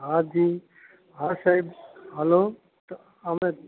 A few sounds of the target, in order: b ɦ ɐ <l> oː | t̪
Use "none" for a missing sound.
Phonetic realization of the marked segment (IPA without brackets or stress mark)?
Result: l